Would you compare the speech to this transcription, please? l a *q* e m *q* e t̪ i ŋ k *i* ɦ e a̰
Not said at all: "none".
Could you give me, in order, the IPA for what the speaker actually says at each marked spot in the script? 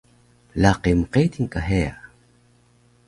q, q, a

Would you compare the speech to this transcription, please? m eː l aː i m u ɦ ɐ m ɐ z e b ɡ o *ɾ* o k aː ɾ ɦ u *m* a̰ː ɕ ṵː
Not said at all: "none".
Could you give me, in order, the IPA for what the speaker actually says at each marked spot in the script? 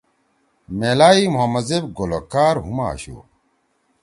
l, m

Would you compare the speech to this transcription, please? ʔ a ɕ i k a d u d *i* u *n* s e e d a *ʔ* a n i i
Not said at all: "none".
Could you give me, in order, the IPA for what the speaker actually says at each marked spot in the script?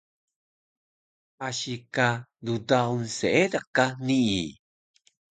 a, n, k

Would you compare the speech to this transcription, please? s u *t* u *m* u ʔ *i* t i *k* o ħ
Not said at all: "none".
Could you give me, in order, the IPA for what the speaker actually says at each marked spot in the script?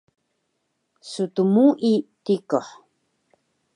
t, m, i, k

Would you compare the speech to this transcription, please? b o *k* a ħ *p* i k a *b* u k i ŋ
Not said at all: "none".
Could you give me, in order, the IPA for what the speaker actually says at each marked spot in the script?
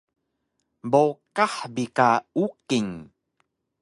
k, b, none

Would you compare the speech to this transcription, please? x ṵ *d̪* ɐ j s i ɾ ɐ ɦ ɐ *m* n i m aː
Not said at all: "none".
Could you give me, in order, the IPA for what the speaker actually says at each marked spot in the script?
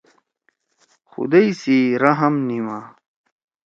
d̪, m

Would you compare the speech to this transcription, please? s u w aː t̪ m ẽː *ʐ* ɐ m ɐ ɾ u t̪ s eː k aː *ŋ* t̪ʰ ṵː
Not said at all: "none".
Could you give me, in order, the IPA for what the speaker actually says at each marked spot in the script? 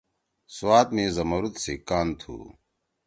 z, n

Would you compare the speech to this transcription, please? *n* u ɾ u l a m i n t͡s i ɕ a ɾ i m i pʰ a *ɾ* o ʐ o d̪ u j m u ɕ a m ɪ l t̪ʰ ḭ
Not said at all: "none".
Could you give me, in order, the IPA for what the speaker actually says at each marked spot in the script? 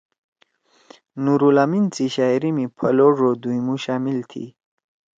n, l

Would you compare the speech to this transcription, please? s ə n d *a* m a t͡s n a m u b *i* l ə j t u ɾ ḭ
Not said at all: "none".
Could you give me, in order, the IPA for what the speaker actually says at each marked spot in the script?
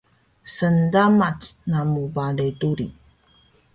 a, a

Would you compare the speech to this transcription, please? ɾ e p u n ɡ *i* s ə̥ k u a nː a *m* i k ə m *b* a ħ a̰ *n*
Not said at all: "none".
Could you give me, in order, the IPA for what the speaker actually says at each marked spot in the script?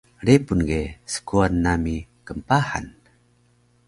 e, m, p, n

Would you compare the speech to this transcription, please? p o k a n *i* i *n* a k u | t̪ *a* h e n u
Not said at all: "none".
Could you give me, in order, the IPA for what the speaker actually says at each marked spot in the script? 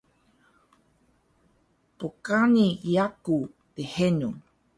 i, none, e

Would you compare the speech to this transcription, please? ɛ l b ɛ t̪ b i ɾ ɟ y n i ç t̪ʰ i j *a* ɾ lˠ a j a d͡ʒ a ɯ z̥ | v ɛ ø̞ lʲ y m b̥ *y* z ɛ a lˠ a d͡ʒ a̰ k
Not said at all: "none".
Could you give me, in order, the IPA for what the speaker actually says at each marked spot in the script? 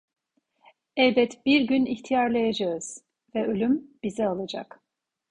a, i

